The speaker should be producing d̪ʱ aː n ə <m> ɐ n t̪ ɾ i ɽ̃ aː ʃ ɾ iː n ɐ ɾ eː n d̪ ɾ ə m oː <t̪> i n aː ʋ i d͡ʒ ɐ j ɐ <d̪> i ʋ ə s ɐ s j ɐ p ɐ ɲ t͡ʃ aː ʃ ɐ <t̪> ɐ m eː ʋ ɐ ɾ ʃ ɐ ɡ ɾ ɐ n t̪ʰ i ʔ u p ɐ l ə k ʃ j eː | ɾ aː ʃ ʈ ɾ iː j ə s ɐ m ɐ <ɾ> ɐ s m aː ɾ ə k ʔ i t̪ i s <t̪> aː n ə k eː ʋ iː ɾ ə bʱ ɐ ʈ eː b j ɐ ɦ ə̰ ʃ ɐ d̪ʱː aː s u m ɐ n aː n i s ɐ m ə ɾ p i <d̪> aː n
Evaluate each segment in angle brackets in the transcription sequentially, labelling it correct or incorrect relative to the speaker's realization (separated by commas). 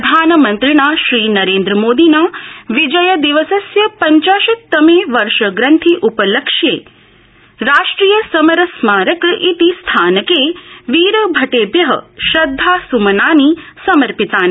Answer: correct, incorrect, correct, correct, correct, incorrect, incorrect